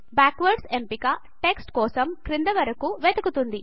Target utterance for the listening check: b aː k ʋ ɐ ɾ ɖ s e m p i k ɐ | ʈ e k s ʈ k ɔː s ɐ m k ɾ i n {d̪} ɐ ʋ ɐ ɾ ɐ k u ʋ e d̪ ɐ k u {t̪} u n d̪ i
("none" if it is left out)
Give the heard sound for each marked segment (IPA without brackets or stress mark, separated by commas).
d̪, t̪